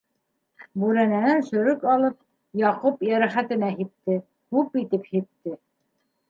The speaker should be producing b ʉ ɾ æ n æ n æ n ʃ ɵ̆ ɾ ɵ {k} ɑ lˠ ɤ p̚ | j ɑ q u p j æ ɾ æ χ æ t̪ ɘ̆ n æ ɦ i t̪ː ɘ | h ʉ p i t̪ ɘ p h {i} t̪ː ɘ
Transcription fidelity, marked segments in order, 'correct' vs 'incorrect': correct, correct

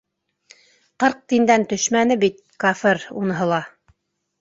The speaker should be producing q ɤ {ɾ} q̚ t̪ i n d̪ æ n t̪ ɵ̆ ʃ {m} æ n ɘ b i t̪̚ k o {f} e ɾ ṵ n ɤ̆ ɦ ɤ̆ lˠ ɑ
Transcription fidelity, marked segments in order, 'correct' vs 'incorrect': correct, correct, correct

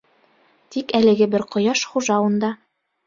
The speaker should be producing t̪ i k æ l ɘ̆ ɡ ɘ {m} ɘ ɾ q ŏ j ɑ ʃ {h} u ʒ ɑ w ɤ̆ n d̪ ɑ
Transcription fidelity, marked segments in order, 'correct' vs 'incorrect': incorrect: b, incorrect: χ

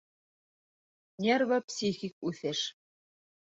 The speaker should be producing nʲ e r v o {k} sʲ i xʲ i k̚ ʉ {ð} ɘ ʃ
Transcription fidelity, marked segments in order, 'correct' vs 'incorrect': incorrect: p, incorrect: θ

